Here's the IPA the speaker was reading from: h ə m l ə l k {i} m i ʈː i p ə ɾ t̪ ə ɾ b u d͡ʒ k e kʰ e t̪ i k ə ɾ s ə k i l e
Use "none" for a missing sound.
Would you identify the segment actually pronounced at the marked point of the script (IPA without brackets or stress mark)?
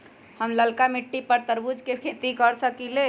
a